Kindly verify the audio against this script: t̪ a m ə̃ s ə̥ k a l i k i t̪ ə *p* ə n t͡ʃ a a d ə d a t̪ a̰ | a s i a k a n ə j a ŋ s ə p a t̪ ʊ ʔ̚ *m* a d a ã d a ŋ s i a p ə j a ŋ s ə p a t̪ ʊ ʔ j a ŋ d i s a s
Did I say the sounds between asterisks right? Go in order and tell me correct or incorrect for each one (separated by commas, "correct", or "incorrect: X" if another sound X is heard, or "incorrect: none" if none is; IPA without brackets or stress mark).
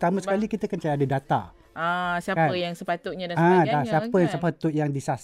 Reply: incorrect: k, incorrect: ɲ